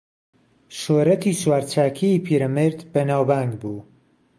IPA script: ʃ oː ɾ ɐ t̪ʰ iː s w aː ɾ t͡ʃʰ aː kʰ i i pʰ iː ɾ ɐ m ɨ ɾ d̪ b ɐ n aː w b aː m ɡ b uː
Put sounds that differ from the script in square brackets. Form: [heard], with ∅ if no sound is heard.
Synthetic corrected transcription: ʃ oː ɾ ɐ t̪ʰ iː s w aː ɾ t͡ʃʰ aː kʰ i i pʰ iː ɾ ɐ m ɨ ɾ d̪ b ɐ n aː w b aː [ŋ] ɡ b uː